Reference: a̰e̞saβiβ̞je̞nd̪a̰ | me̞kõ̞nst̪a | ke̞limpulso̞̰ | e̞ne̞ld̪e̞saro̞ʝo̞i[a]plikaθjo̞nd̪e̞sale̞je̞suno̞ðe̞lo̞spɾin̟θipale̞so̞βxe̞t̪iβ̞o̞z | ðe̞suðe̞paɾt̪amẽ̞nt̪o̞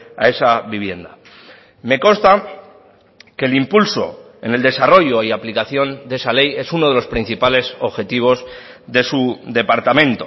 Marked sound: correct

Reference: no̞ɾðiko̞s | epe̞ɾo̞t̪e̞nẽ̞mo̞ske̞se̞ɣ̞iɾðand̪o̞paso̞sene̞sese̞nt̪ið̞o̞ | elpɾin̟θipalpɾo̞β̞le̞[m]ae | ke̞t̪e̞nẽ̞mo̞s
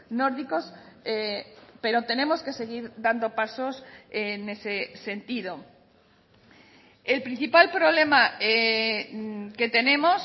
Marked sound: correct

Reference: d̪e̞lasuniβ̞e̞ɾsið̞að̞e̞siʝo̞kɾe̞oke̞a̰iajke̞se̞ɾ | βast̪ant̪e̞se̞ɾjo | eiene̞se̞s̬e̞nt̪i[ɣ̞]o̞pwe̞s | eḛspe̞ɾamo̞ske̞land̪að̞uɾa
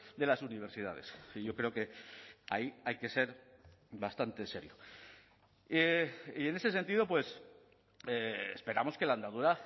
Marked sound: incorrect: ð̞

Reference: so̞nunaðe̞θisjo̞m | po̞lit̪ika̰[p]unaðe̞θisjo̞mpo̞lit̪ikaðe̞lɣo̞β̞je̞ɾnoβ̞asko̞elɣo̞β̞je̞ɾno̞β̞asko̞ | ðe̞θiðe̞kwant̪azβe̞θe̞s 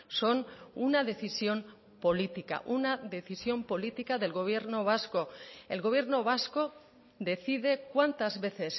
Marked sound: incorrect: ʔ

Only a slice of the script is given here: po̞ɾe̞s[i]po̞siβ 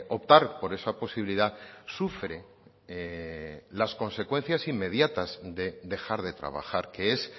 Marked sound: incorrect: a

